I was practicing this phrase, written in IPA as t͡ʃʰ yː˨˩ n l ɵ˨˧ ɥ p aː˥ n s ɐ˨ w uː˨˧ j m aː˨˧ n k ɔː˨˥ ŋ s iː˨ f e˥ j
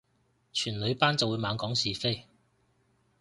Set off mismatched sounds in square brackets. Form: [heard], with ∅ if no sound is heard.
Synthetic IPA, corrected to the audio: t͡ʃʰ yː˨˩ n l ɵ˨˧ ɥ p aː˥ n [t͡s] ɐ˨ w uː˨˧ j m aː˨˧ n k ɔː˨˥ ŋ s iː˨ f e˥ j